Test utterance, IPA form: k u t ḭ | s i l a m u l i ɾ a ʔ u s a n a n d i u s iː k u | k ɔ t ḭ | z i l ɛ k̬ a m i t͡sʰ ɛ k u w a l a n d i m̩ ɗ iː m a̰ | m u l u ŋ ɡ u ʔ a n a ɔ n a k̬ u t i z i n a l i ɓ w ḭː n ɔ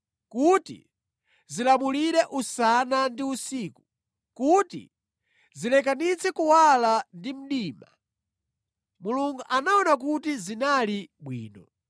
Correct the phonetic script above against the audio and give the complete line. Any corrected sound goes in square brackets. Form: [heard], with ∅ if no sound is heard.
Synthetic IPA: k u t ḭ | [z] i l a m u l i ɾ [ɛ] ʔ u s a n a n d i u s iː k u | k [u] t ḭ | z i l ɛ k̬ a [n] i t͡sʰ ɛ k u w a l a n d i m̩ ɗ iː m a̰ | m u l u ŋ ɡ u ʔ a n a ɔ n a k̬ u t i z i n a l i ɓ w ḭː n ɔ